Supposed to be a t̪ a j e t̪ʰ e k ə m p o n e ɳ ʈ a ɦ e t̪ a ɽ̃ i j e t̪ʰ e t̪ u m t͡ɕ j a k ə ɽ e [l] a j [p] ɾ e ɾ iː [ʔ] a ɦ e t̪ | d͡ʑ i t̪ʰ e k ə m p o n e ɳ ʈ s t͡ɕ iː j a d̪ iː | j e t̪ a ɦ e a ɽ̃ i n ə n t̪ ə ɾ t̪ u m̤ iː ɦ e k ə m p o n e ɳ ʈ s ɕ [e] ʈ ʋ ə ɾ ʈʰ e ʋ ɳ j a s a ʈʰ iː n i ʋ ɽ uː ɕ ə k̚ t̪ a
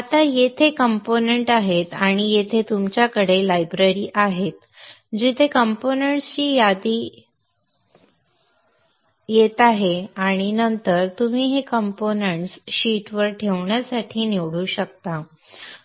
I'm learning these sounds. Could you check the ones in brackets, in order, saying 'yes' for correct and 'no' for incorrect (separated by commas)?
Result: yes, no, yes, no